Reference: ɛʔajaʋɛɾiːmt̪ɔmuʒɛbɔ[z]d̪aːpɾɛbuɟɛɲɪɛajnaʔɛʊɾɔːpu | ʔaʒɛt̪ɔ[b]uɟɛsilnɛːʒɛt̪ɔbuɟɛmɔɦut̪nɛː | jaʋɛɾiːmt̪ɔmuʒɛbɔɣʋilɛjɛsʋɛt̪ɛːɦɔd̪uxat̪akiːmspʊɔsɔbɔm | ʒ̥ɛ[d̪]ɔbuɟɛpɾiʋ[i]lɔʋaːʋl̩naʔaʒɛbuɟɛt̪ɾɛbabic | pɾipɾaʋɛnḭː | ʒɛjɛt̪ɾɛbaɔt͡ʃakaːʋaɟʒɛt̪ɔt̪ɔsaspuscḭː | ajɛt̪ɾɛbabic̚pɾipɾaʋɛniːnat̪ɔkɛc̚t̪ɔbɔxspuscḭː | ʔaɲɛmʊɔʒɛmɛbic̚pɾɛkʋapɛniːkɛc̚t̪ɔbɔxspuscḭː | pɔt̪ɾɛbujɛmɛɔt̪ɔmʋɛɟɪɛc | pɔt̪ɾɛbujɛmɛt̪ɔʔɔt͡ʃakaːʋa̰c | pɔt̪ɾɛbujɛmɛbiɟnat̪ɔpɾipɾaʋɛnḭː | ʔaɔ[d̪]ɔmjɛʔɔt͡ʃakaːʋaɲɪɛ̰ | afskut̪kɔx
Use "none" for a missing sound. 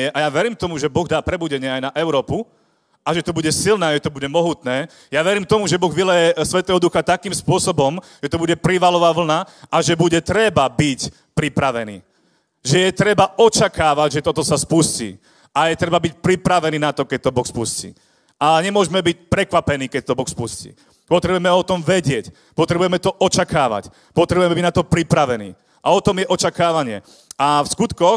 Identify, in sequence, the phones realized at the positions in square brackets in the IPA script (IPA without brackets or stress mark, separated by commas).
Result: ɣ, b, t̪, a, t̪